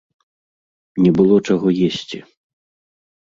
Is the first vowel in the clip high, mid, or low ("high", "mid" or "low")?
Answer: mid